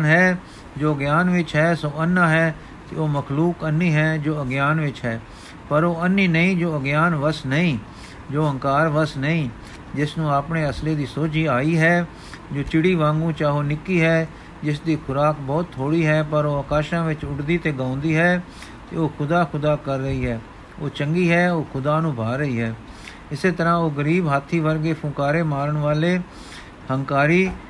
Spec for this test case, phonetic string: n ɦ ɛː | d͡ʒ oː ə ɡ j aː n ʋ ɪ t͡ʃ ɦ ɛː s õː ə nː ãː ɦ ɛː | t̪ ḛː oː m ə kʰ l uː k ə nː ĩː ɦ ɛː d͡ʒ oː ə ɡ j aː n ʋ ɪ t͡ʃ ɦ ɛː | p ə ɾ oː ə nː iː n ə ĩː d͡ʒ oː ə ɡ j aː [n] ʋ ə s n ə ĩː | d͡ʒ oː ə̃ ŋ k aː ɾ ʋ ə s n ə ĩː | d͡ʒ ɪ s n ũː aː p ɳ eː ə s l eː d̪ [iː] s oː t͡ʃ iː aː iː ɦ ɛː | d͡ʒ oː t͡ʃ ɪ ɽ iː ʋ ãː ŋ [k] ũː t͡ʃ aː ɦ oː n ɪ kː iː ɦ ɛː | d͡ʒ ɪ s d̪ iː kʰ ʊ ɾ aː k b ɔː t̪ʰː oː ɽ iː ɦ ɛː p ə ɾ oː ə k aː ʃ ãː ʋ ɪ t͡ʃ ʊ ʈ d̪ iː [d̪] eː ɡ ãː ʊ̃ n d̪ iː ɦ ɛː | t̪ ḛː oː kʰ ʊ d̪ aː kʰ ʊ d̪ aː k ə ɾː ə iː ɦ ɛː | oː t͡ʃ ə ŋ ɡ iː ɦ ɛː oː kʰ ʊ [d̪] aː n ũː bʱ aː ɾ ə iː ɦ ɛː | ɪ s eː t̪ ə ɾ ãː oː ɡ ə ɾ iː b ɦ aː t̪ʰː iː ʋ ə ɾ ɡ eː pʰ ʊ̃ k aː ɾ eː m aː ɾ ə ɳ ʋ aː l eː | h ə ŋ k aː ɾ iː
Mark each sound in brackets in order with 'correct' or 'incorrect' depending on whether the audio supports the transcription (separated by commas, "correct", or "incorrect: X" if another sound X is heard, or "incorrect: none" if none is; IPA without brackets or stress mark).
correct, correct, incorrect: ɡ, incorrect: t̪, correct